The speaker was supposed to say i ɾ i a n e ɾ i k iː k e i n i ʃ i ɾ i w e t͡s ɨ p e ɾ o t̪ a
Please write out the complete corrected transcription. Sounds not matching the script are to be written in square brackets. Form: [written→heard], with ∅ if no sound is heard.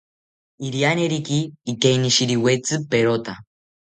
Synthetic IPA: i ɾ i a n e ɾ i k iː k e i n i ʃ i ɾ i w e t͡s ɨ p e ɾ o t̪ a